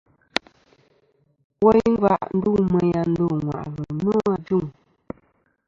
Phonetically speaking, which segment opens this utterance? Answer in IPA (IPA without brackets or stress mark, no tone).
w